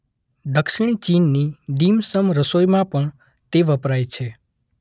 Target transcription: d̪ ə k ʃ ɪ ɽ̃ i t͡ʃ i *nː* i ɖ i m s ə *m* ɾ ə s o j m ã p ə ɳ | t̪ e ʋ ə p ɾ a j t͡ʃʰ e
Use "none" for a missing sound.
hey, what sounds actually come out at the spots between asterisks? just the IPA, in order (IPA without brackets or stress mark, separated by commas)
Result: nː, m